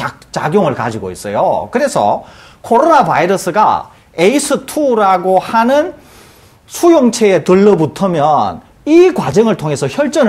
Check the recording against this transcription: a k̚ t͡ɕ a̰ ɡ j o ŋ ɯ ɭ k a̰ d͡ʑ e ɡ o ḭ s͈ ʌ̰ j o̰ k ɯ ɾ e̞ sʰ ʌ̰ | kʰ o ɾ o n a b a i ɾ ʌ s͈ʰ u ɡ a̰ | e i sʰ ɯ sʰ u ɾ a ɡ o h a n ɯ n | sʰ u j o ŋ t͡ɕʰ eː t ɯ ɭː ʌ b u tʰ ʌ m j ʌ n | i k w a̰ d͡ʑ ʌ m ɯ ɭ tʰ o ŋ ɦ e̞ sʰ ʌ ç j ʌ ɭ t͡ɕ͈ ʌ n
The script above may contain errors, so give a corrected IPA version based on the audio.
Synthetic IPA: a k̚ t͡ɕ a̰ ɡ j o ŋ ɯ ɭ k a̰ d͡ʑ i ɡ o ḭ s͈ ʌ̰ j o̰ k ɯ ɾ e̞ sʰ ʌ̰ | kʰ o ɾ o n a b a i ɾ ʌ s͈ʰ ɯ ɡ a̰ | e i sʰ ɯ tʰ u ɾ a ɡ o h a n ɯ n | sʰ u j o ŋ t͡ɕʰ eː t ɯ ɭː ʌ b u tʰ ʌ m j ʌ n | i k w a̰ d͡ʑ ʌ ŋ ɯ ɭ tʰ o ŋ ɦ e̞ sʰ ʌ ç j ʌ ɭ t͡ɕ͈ ʌ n